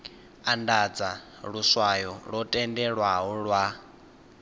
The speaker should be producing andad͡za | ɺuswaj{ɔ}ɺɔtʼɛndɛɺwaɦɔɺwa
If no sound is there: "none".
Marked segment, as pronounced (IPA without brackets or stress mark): ɔ